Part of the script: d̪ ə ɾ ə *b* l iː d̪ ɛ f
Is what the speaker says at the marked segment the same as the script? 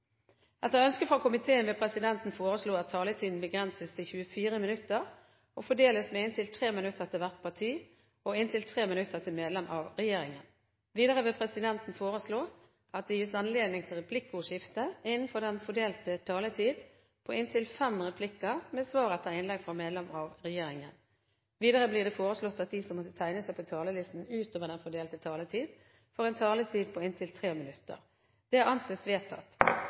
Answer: yes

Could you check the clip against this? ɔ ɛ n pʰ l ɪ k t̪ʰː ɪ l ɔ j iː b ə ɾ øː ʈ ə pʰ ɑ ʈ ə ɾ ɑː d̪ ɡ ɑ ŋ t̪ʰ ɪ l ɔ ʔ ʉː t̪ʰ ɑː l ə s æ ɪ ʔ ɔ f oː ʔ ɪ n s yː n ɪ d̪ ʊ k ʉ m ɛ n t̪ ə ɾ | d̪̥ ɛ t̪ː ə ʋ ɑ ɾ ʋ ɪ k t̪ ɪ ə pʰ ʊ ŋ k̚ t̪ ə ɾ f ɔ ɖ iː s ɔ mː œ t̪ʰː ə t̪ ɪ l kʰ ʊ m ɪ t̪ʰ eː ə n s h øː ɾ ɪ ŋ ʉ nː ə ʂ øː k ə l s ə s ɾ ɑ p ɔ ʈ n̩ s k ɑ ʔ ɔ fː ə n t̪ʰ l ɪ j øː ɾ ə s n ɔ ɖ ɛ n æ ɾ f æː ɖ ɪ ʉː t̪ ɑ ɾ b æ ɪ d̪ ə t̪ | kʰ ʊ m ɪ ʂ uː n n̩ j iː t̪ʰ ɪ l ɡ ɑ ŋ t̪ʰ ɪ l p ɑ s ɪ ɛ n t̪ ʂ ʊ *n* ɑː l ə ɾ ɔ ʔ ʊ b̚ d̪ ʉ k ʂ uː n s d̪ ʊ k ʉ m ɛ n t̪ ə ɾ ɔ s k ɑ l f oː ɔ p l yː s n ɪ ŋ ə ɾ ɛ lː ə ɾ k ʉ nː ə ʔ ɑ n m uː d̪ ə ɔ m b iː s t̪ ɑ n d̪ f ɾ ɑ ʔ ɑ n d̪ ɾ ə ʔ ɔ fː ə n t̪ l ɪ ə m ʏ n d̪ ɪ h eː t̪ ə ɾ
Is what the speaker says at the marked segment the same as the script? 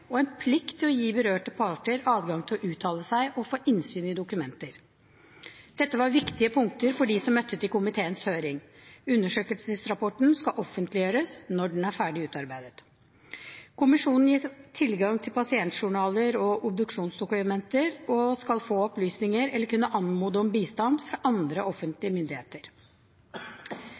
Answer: no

